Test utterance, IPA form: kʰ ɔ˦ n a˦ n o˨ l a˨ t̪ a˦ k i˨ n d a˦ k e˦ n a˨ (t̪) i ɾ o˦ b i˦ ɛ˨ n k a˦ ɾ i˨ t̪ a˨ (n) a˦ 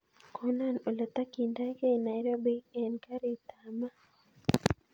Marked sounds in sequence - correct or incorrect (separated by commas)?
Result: incorrect, incorrect